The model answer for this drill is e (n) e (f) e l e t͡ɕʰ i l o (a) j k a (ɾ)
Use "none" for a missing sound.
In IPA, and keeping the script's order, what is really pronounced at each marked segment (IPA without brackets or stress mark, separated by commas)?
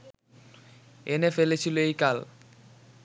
n, f, e, l